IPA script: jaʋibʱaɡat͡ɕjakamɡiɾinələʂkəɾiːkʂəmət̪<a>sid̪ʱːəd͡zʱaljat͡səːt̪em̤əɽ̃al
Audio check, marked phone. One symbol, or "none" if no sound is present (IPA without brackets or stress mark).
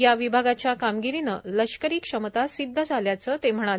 a